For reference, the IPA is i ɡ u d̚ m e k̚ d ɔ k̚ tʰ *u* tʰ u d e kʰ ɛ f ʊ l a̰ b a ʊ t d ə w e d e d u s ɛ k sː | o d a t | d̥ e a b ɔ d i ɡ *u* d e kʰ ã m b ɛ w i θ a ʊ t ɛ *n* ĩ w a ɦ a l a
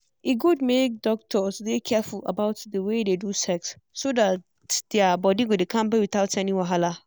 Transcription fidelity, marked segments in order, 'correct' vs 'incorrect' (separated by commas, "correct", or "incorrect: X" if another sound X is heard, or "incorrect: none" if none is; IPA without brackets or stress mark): incorrect: ɔ, incorrect: o, correct